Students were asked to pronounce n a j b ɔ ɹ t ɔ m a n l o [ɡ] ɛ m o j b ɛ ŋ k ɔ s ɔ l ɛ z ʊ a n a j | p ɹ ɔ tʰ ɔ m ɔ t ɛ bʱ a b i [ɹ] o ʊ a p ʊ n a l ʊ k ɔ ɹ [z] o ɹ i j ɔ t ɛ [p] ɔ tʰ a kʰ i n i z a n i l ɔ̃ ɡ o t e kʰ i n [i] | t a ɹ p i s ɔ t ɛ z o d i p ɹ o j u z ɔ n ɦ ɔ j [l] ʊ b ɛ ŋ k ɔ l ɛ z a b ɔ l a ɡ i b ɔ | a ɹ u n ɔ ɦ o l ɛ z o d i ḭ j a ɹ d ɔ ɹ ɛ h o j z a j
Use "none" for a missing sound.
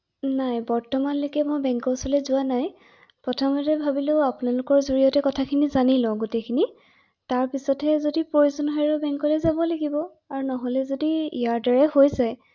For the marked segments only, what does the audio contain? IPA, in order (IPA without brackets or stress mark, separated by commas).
k, l, z, k, i, ɹ